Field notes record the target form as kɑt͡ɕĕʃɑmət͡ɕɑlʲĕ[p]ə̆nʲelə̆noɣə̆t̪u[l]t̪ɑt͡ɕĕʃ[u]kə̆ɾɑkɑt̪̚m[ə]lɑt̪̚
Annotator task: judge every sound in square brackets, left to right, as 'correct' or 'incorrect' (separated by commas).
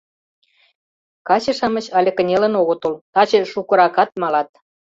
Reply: incorrect, correct, correct, incorrect